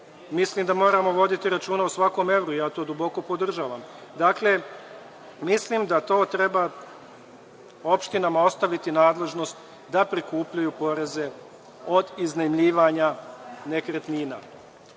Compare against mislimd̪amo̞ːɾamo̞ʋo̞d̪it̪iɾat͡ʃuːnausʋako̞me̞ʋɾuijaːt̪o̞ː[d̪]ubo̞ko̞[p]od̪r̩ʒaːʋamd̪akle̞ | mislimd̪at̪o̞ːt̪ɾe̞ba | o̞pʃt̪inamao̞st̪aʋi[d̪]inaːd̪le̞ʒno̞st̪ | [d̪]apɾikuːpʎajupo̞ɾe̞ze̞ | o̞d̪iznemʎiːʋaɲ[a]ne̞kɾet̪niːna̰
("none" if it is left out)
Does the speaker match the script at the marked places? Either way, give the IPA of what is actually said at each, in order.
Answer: d̪, p, t̪, d̪, a

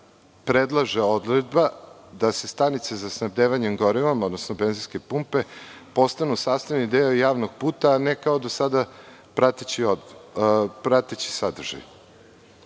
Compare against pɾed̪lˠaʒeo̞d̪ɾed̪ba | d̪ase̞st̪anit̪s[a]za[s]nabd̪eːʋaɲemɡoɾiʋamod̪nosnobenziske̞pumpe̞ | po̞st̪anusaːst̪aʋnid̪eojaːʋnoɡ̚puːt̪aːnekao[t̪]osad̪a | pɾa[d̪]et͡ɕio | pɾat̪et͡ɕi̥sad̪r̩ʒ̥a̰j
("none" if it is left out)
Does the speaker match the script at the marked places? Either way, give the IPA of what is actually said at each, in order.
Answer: e, s, d̪, t̪

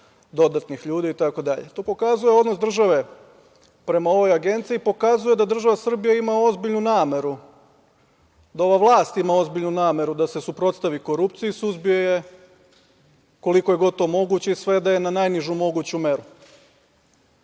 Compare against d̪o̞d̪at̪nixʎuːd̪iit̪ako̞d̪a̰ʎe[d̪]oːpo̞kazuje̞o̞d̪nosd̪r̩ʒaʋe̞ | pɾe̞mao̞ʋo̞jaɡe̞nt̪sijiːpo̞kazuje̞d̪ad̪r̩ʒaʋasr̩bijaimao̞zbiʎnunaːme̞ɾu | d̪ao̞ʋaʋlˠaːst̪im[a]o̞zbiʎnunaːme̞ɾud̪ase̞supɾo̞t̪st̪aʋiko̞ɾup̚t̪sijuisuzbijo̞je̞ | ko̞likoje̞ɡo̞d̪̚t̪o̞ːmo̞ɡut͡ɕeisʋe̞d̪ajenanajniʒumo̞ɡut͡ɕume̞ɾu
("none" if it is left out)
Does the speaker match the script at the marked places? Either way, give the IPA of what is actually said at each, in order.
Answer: t̪, a

